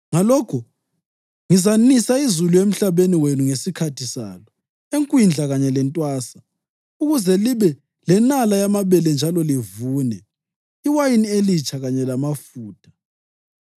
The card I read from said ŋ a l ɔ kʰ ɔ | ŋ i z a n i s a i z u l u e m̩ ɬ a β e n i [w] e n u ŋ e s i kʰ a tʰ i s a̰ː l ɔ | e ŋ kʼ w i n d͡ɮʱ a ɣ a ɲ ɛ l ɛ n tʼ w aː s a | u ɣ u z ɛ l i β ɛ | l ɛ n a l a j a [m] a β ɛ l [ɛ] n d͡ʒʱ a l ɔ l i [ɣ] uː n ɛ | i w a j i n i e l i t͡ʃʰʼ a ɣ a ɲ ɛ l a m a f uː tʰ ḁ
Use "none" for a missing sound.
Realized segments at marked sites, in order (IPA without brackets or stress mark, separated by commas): w, m, ɛ, v